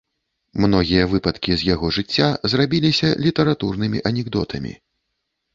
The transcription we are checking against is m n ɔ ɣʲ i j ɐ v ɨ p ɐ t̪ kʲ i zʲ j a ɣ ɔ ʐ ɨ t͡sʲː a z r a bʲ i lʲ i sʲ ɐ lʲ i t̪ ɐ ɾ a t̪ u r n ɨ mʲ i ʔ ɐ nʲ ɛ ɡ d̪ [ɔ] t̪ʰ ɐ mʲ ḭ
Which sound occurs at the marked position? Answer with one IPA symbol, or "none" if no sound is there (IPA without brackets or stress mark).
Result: ɔ